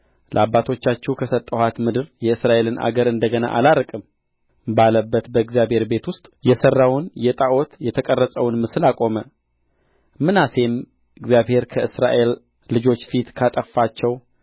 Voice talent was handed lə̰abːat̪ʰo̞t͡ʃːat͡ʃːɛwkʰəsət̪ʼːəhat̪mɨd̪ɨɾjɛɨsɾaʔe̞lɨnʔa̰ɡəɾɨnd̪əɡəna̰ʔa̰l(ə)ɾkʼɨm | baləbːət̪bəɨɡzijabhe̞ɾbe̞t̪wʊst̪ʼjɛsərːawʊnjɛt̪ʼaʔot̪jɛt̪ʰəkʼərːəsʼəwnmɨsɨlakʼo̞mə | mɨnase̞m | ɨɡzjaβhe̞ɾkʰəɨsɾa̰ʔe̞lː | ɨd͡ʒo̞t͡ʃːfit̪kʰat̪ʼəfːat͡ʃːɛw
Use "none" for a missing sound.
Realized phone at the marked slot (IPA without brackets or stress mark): a